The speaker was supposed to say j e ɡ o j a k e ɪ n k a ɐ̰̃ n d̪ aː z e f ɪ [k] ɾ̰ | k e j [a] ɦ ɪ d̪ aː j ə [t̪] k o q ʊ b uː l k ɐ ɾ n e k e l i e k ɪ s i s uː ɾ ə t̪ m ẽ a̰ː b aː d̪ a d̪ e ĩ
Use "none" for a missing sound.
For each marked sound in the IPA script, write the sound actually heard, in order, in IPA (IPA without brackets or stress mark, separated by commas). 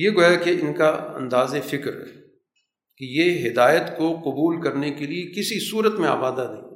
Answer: k, e, t̪